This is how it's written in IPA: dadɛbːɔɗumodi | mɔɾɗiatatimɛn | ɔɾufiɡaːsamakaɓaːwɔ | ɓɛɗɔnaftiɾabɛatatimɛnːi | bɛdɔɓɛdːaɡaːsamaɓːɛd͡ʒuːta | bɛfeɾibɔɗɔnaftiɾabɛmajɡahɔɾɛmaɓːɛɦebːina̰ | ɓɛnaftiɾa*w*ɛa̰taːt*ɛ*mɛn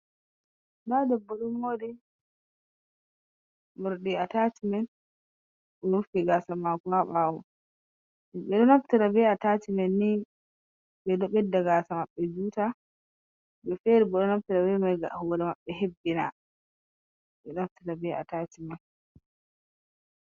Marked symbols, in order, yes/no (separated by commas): no, no